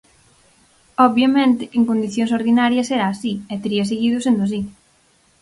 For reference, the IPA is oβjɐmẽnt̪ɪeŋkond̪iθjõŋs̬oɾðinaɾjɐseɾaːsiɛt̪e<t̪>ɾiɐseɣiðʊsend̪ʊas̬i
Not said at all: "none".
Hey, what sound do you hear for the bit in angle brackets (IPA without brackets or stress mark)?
none